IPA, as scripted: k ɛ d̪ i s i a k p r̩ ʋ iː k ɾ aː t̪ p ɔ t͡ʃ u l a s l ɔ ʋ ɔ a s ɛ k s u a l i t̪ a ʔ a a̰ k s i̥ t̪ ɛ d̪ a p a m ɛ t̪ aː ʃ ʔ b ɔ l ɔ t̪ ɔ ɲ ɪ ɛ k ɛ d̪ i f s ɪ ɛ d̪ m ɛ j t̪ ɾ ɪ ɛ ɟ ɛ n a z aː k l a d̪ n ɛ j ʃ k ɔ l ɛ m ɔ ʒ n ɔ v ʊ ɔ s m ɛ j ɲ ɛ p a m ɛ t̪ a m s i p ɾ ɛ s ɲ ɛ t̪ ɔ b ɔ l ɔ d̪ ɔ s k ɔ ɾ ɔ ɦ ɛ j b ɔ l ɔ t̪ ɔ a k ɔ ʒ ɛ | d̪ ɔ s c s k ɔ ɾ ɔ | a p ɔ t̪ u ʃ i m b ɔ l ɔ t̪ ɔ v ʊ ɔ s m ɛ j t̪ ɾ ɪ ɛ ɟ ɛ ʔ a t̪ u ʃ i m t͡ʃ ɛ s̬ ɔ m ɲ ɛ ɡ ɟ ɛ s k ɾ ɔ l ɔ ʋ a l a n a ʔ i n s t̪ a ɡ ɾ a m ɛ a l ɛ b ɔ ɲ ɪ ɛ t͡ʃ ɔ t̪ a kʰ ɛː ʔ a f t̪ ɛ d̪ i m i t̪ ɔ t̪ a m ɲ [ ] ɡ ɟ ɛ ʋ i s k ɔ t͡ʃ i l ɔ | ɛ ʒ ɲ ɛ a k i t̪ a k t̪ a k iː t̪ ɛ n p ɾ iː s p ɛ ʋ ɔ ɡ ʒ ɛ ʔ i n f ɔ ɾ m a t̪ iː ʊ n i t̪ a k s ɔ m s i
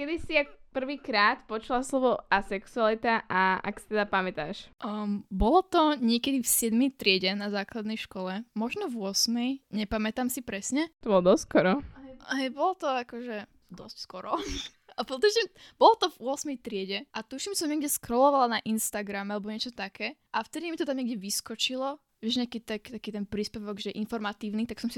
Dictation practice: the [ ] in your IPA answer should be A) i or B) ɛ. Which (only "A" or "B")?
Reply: B